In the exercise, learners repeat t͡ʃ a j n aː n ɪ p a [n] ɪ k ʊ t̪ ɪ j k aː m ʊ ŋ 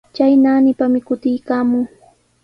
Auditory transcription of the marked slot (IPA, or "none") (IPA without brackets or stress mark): m